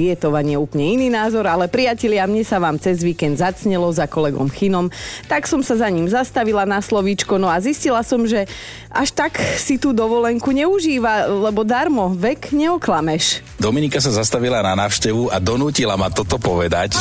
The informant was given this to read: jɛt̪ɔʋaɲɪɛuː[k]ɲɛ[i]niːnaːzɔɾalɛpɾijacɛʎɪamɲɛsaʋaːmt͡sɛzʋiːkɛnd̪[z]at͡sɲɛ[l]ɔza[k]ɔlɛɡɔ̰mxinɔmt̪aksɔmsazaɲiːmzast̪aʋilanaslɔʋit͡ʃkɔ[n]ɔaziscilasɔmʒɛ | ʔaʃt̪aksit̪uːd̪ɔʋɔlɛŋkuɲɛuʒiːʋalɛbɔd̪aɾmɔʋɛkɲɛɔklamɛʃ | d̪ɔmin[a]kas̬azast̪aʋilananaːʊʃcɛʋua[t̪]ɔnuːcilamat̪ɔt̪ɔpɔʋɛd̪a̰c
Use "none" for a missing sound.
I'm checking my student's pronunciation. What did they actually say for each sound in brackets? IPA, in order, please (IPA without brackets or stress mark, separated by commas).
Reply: p, i, z, l, k, n, i, d̪